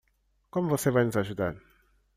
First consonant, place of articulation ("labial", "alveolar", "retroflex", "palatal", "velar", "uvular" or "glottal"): velar